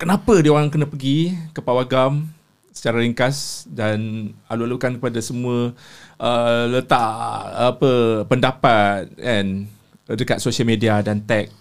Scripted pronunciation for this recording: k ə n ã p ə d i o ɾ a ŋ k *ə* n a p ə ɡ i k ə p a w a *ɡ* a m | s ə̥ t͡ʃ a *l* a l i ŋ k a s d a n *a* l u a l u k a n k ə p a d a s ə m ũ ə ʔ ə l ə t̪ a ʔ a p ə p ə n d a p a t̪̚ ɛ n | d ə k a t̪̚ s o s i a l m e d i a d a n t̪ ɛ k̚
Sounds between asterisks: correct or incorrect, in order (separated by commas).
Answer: correct, correct, incorrect, correct